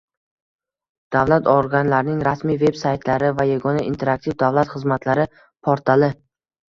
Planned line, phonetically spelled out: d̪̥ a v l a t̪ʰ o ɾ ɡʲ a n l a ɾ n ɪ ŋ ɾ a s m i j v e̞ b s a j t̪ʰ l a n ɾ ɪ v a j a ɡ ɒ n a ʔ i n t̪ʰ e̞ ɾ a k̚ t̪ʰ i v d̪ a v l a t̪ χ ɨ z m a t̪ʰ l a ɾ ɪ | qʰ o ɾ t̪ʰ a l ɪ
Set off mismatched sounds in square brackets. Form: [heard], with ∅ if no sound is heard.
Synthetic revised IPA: d̪̥ a v l a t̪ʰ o ɾ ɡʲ a n l a ɾ n ɪ ŋ ɾ a s m i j v e̞ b s a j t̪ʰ l a [∅] ɾ ɪ v a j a ɡ ɒ n a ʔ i n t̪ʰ e̞ ɾ a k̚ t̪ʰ i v d̪ a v l a t̪ χ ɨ z m a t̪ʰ l a ɾ ɪ | [pʰ] o ɾ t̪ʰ a l ɪ